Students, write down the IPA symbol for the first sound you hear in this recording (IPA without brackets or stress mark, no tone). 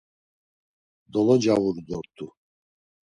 d̪